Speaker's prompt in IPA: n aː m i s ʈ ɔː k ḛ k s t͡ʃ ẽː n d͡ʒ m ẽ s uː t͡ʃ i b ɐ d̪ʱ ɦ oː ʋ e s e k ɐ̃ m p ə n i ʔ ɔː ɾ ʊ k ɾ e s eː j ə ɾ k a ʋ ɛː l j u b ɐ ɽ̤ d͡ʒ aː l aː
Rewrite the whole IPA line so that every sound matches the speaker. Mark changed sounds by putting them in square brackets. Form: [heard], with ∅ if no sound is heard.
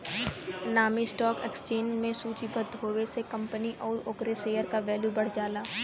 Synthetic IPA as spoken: n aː m i s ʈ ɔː k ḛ k s t͡ʃ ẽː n d͡ʒ m ẽ s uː t͡ʃ i b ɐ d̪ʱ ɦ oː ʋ e s e k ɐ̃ m p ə n i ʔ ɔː ɾ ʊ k ɾ e s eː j ə ɾ k a ʋ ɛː l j u b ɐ ɽ̤ d͡ʒ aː l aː